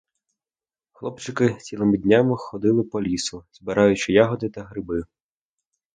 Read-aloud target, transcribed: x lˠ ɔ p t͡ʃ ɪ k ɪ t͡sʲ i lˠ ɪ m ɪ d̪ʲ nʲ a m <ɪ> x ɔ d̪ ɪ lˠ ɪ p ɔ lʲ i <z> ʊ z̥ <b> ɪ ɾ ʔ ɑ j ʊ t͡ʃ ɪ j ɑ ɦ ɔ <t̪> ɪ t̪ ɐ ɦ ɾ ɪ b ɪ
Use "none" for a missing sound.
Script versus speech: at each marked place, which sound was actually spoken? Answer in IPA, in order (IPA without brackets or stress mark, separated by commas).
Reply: ɪ, s, b, d̪